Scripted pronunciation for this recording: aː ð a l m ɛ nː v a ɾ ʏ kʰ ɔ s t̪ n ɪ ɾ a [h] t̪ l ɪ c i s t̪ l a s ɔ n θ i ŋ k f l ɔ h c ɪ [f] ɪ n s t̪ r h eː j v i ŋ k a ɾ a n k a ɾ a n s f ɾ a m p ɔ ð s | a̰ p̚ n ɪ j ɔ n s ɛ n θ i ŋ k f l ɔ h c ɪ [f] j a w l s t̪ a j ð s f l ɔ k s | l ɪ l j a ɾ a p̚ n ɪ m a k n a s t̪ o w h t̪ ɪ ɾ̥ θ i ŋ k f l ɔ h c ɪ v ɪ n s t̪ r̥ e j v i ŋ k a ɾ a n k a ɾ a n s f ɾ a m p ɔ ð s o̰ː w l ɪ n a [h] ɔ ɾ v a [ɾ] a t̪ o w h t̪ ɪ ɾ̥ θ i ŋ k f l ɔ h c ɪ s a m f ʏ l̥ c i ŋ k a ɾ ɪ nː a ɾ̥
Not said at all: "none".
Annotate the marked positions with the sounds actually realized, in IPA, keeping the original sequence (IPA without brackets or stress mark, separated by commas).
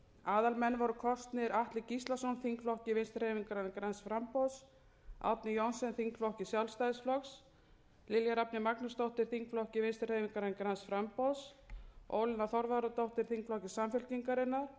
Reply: h, v, s, θ, ɾ